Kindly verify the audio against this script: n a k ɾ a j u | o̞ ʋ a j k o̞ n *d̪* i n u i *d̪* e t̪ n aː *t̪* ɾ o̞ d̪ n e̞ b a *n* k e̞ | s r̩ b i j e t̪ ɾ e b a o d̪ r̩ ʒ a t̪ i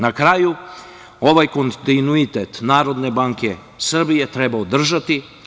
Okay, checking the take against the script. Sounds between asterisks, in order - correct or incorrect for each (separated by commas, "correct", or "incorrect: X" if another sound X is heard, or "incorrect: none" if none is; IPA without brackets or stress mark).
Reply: incorrect: t̪, incorrect: t̪, incorrect: none, incorrect: ŋ